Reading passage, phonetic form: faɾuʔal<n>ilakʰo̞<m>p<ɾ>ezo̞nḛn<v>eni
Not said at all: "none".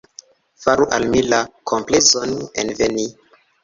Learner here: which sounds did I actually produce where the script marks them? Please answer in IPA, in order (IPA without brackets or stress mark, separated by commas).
m, m, l, v